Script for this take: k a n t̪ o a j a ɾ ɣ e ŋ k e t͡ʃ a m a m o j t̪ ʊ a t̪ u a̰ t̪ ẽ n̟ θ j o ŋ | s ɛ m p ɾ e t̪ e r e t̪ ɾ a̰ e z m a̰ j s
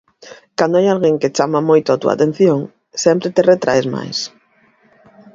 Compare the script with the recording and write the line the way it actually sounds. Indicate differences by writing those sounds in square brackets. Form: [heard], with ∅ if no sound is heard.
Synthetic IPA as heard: k a n [d̪] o a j a [l] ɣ e ŋ k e t͡ʃ a m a m o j t̪ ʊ a t̪ u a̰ t̪ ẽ n̟ θ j o ŋ | s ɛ m p ɾ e t̪ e r e t̪ ɾ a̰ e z m a̰ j s

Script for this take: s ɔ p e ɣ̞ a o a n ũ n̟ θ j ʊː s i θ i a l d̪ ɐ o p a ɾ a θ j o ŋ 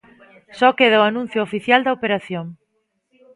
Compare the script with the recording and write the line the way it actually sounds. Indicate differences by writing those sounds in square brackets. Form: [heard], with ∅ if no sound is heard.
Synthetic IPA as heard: s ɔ [k] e [ð̞] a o a n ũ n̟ θ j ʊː [f] i θ [j] a l d̪ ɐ o p [e] ɾ a θ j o ŋ

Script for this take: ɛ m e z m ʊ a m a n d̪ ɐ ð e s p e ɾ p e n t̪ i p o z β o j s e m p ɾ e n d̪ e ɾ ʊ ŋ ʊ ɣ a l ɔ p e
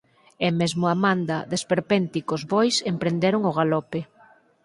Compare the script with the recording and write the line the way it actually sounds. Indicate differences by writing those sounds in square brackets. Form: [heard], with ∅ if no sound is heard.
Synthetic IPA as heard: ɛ m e z m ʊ a m a n d̪ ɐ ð e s p e ɾ p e n t̪ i [k] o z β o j s e m p ɾ e n d̪ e ɾ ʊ ŋ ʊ ɣ a l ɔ p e

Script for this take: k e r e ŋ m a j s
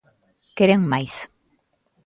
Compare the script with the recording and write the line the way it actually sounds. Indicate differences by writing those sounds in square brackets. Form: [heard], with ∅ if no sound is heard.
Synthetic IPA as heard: k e [ɾ] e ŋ m a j s

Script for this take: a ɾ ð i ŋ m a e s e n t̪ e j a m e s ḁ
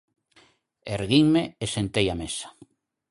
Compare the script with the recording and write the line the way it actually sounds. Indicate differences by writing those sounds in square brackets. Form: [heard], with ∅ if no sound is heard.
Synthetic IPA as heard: [e] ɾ [ɣ] i ŋ m [e] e s e n t̪ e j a m e s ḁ

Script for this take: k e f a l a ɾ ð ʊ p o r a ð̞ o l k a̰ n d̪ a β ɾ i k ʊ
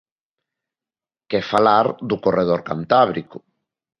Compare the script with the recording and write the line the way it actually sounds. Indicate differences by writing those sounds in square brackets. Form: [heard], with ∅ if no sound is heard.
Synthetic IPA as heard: k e f a l a ɾ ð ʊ [k] o r [e] ð̞ o [ɾ] k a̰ n [t̪] a β ɾ i k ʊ

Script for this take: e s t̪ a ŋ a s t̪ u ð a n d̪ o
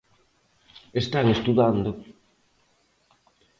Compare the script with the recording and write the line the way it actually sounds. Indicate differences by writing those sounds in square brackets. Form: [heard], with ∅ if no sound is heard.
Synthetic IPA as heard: e s t̪ a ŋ [e] s t̪ u ð a n d̪ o

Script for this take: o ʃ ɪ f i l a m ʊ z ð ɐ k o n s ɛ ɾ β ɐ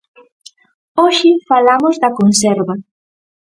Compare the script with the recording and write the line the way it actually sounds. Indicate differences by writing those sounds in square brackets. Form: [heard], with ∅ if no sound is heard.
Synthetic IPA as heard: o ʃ ɪ f [a] l a m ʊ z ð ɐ k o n s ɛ ɾ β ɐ

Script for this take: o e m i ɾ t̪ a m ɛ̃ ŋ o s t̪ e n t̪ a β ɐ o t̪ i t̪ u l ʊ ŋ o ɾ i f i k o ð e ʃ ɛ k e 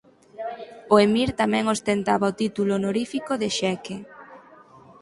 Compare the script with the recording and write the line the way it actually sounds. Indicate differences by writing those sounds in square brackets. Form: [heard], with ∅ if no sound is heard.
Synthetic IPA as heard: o e m i ɾ t̪ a m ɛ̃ ŋ o s t̪ e n t̪ a β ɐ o t̪ i t̪ u l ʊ [n] o ɾ i f i k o ð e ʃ ɛ k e

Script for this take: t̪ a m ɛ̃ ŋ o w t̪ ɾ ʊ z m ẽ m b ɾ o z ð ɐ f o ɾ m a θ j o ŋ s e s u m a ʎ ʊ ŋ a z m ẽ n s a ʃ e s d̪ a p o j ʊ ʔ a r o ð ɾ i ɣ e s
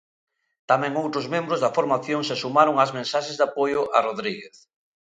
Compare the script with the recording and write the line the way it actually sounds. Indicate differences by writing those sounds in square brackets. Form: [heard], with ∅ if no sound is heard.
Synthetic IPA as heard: t̪ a m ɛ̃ ŋ o w t̪ ɾ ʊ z m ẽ m b ɾ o z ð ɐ f o ɾ m a θ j o ŋ s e s u m a [ɾ] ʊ ŋ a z m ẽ n s a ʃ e [z] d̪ a p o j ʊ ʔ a r o ð ɾ i ɣ e [θ]

